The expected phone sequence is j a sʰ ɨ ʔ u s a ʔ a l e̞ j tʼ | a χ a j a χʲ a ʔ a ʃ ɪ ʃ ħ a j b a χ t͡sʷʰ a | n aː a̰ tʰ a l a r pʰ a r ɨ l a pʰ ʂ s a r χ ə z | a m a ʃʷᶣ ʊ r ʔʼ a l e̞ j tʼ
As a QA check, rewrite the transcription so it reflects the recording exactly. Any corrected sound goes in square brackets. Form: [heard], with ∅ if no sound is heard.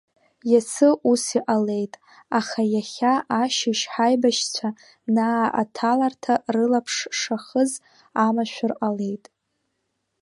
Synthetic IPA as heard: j a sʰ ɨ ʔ u s [i] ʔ a l e̞ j tʼ | a χ a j a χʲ a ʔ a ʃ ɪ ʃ ħ a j b a [ʃ] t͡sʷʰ a | n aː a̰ tʰ a l a r [tʰ] a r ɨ l a pʰ ʂ [ʂ] a [∅] χ ə z | a m a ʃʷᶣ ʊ r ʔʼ a l e̞ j tʼ